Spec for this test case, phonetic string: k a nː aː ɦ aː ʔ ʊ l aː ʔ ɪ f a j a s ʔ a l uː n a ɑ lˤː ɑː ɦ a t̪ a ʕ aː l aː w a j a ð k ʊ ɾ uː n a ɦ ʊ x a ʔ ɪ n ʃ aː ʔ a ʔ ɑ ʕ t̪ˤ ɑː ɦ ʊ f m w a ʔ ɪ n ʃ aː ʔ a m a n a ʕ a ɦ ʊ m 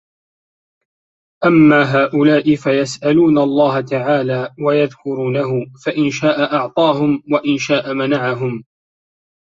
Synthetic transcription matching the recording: ʔ a mː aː ɦ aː ʔ ʊ l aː ʔ ɪ f a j a s ʔ a l uː n a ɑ lˤː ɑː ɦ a t̪ a ʕ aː l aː w a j a ð k ʊ ɾ uː n a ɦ ʊ f a ʔ ɪ n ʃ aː ʔ a ʔ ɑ ʕ t̪ˤ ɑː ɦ ʊ m w a ʔ ɪ n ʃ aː ʔ a m a n a ʕ a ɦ ʊ m